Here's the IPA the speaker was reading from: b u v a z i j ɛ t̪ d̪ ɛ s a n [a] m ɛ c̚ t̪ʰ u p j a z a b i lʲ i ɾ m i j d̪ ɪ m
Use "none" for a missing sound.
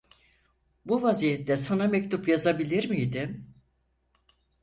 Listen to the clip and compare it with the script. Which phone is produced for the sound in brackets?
a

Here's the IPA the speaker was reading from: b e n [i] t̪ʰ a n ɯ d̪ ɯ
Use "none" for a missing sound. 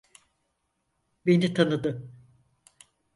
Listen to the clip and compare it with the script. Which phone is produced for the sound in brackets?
i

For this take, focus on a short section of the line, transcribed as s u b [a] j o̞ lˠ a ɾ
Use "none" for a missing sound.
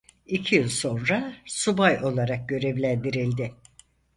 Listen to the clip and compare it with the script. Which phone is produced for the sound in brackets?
a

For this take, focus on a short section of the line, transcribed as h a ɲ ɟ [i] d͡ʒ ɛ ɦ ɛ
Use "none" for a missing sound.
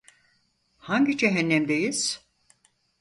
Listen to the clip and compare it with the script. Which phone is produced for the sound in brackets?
i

